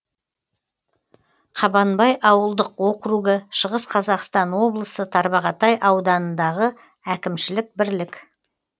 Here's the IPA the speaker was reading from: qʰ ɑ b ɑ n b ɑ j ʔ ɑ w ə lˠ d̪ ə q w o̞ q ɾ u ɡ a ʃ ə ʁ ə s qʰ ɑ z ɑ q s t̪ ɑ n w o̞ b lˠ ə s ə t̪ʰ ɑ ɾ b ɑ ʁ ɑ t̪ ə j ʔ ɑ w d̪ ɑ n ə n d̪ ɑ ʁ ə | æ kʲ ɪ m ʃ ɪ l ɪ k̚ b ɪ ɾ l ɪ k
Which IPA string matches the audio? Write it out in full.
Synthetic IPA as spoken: qʰ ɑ b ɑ n b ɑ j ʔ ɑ w ə lˠ d̪ ə q w o̞ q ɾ u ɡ ə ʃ ə ʁ ə s qʰ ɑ z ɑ q s t̪ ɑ n w o̞ b lˠ ə s ə t̪ʰ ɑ ɾ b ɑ ʁ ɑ t̪ ɑ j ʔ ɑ w d̪ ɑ n ə n d̪ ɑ ʁ ə | æ kʲ ɪ m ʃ ɪ l ɪ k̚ b ɪ ɾ l ɪ k